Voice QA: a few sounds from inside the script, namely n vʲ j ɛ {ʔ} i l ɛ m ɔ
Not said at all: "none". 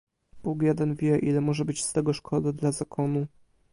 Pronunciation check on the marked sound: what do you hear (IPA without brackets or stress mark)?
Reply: ʔ